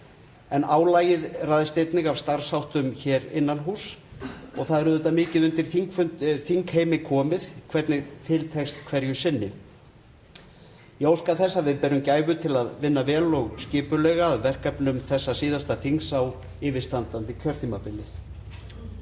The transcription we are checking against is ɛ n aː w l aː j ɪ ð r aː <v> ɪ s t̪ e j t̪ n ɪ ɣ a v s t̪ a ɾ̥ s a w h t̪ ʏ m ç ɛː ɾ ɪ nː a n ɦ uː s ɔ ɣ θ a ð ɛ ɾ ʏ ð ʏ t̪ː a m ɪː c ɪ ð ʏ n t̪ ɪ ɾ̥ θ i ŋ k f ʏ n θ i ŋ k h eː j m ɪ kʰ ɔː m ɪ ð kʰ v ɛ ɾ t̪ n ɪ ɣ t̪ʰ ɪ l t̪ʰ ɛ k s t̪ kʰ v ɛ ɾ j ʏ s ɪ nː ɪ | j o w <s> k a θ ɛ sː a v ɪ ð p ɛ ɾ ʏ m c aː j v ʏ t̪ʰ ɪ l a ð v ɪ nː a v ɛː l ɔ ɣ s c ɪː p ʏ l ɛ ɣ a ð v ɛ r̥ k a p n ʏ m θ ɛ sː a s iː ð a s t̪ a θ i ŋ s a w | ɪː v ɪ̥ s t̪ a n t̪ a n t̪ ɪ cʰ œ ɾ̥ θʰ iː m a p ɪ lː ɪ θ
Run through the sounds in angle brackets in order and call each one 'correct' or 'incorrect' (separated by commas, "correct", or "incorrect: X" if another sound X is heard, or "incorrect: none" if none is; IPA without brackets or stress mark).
incorrect: ð, correct